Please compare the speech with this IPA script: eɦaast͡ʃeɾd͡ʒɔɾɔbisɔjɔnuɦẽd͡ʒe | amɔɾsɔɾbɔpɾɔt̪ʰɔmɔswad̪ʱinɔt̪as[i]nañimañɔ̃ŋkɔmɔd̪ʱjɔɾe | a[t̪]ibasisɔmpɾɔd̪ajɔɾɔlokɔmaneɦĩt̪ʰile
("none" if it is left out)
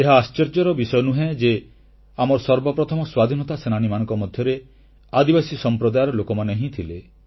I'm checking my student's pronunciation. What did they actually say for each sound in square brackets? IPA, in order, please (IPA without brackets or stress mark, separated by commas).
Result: e, d̪